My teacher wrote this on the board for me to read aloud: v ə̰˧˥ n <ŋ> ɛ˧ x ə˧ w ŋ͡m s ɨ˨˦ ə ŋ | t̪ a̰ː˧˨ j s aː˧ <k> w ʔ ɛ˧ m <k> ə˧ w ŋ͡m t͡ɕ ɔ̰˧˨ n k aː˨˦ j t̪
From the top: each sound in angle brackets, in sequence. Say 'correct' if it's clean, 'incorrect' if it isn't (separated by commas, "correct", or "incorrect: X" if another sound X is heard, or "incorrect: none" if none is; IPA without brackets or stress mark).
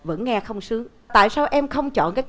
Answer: correct, incorrect: none, incorrect: x